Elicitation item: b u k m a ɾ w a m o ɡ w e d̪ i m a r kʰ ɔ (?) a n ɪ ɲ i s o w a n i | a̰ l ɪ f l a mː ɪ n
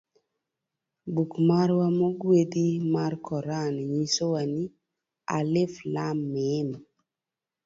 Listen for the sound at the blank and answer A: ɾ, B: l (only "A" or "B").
A